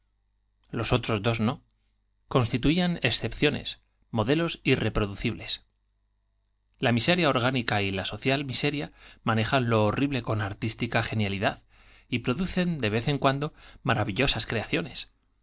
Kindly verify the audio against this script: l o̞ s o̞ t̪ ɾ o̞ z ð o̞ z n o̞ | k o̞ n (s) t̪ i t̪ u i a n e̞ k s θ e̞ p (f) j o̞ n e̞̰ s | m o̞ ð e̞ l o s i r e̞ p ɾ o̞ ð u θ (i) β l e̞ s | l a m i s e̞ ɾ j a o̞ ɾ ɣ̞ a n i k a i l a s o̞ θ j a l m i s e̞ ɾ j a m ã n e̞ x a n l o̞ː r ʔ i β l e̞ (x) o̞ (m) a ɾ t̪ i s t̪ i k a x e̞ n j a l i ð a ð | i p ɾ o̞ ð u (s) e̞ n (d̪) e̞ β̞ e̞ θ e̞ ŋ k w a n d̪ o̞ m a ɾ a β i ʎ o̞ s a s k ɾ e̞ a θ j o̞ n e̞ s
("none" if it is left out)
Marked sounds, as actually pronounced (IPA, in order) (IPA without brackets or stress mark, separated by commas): s, θ, i, k, n, θ, d̪